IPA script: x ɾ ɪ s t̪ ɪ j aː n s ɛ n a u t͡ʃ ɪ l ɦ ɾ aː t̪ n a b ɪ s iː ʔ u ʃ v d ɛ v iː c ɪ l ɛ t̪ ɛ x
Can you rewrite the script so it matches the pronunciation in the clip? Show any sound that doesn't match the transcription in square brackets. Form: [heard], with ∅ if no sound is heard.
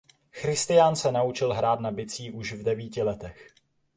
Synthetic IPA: x ɾ ɪ s t̪ ɪ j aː n s ɛ n a u t͡ʃ ɪ l ɦ ɾ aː t̪ n a b ɪ [t͡s] iː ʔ u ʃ v d ɛ v iː c ɪ l ɛ t̪ ɛ x